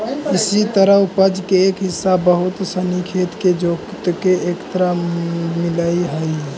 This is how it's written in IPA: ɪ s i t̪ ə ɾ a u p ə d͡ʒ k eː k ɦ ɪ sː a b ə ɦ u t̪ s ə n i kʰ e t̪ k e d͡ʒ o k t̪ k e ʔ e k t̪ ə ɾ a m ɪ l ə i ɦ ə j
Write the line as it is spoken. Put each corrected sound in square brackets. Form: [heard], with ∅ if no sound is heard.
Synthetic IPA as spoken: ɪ s i t̪ ə ɾ [ə] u p ə d͡ʒ k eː k ɦ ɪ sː a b ə ɦ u t̪ s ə n i kʰ e t̪ k e d͡ʒ o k t̪ k e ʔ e k t̪ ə ɾ a m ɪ l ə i ɦ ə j